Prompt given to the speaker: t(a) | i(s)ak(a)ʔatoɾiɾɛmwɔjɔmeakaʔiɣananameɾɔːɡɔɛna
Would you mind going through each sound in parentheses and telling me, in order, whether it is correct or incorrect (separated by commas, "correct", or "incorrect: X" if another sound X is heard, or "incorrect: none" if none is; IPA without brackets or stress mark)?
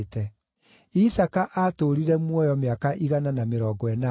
incorrect: ɛ, correct, correct